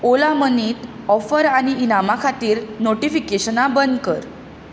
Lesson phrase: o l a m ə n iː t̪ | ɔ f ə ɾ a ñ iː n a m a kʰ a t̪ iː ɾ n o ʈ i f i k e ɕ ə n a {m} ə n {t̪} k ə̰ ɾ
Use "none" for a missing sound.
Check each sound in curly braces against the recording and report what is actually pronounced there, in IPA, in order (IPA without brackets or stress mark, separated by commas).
b, d̪